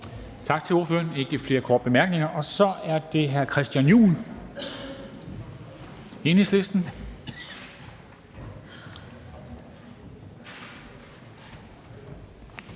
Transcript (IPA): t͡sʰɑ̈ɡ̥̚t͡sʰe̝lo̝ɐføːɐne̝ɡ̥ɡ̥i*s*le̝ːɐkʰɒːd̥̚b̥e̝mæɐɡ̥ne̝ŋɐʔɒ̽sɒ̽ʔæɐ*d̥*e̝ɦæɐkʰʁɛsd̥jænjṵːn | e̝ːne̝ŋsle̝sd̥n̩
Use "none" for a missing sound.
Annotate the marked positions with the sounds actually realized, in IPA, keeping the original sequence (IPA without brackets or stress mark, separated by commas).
f, d̥